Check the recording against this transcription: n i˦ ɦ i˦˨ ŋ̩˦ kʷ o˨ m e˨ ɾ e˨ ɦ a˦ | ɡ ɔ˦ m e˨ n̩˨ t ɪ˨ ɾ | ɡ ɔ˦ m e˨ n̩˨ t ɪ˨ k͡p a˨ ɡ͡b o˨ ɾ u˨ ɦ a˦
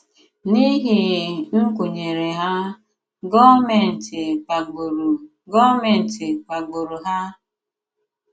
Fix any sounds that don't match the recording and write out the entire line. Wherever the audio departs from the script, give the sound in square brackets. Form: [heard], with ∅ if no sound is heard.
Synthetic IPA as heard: n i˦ ɦ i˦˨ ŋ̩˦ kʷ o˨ [ɲ] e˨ ɾ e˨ ɦ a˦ | ɡ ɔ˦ m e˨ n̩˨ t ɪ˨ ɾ | ɡ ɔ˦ m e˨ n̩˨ t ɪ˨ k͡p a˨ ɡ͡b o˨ ɾ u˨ ɦ a˦